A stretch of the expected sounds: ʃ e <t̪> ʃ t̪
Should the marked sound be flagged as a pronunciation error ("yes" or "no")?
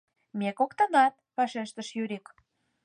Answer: yes